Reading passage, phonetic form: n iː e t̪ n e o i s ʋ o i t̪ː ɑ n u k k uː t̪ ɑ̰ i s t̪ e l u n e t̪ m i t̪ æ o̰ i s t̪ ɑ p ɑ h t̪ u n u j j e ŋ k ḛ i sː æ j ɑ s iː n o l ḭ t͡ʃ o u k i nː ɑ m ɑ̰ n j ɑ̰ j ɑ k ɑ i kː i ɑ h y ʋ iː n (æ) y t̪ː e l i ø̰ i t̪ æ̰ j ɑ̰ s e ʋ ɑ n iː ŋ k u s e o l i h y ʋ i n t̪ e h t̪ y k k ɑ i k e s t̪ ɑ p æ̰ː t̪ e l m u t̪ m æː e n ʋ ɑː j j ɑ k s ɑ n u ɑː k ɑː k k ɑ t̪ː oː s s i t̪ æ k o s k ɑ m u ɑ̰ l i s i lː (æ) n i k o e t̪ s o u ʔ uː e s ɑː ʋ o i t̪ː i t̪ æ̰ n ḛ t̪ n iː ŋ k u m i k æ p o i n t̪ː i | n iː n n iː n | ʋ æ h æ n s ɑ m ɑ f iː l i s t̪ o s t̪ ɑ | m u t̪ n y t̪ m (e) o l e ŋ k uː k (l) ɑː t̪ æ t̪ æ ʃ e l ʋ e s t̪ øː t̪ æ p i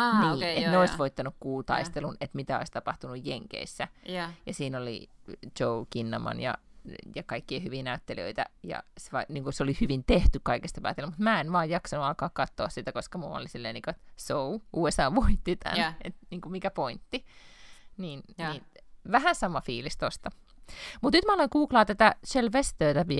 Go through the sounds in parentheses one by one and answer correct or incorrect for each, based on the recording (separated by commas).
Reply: correct, incorrect, incorrect, correct